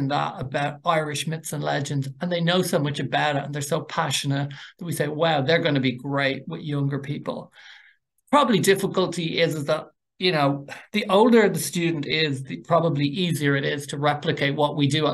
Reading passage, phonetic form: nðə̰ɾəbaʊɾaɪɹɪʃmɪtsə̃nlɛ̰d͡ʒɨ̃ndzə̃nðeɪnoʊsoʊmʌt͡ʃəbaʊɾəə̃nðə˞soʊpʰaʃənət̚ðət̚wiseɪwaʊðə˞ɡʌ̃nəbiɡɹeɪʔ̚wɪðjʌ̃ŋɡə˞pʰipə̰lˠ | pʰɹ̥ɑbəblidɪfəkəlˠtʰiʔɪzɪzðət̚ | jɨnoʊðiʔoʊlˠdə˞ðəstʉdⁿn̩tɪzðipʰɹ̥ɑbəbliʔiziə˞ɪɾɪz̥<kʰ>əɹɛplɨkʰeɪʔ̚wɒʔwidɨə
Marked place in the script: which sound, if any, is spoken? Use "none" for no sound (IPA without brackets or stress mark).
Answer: tʰ